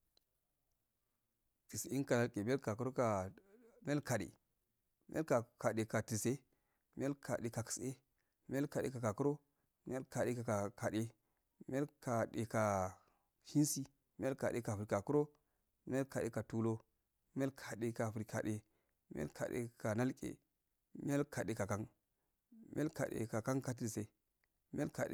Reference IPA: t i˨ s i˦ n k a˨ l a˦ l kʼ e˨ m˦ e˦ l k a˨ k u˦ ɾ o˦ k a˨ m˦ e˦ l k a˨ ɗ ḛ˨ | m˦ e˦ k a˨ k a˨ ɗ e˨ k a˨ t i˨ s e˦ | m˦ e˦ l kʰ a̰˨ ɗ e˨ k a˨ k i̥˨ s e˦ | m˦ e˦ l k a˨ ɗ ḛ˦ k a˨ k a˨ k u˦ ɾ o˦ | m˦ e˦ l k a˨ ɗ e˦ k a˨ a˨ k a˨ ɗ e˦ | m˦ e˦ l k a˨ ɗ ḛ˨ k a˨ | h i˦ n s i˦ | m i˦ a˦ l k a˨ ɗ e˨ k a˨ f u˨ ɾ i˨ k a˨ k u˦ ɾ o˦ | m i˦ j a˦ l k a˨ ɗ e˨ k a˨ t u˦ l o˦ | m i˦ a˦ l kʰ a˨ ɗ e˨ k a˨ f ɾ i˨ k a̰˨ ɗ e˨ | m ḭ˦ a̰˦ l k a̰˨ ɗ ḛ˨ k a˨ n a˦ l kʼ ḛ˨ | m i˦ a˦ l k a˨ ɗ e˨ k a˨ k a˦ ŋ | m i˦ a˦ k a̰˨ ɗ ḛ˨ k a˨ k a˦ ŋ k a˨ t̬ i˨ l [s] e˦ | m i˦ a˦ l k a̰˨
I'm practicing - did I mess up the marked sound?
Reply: no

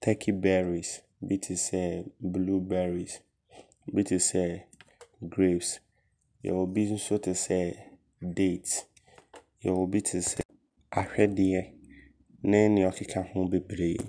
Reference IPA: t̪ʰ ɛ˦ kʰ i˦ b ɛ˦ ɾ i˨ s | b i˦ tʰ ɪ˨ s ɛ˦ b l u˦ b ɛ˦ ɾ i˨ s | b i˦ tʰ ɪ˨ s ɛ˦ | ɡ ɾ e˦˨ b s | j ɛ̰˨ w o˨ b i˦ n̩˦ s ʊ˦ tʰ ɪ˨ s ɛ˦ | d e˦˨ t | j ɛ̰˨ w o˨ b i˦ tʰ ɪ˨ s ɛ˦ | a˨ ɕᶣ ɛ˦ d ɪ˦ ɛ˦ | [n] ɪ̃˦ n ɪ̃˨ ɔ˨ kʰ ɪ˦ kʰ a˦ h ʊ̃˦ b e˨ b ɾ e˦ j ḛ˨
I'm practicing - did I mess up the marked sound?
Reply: no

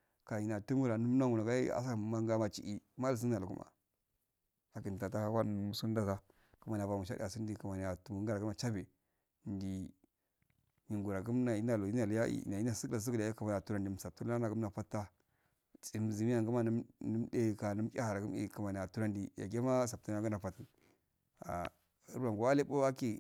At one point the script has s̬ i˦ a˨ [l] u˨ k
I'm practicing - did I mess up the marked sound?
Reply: no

